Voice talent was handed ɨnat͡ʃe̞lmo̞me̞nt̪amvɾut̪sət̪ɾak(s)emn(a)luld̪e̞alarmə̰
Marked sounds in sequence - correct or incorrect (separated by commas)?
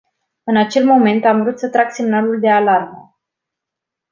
correct, correct